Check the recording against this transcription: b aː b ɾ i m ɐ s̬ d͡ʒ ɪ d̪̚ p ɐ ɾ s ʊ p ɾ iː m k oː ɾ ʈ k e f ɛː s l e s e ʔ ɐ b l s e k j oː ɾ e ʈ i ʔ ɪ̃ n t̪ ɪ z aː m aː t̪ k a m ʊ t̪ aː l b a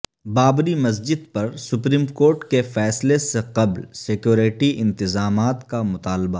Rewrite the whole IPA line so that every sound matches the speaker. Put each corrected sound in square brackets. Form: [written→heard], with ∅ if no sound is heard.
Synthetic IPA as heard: b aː b ɾ i m ɐ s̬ d͡ʒ ɪ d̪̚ p ɐ ɾ s ʊ p ɾ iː m k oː ɾ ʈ k e f ɛː s l e s e [ʔ→q] ɐ b l s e k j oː ɾ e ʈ i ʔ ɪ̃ n t̪ ɪ z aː m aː t̪ k a m ʊ t̪ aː l b a